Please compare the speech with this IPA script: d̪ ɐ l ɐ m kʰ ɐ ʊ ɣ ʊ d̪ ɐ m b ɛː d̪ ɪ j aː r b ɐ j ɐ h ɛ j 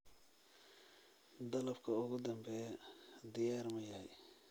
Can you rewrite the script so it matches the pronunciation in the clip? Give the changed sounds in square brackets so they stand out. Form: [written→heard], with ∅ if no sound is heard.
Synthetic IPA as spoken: d̪ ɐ l ɐ [m→b] kʰ ɐ ʊ ɣ ʊ d̪ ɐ m b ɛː d̪ ɪ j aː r [b→m] ɐ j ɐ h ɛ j